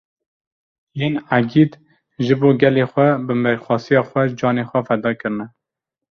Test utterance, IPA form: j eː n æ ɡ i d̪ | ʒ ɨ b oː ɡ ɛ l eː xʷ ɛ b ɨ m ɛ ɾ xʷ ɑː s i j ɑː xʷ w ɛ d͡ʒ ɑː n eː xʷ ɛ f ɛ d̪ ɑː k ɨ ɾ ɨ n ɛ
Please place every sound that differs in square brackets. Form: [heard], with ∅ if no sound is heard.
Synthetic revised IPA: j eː n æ ɡ i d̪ | ʒ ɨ b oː ɡ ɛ l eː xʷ ɛ b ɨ m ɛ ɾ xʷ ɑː s i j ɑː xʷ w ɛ d͡ʒ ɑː n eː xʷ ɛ f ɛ d̪ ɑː k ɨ ɾ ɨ n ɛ